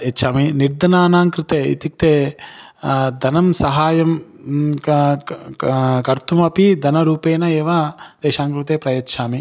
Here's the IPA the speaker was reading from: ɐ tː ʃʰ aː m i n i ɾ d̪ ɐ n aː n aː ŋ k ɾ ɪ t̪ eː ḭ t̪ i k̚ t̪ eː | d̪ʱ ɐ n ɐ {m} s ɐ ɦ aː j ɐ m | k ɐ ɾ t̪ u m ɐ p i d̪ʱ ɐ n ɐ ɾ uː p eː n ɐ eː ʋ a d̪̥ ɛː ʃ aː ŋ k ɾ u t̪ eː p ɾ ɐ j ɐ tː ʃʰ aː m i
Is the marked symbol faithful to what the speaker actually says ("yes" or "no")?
yes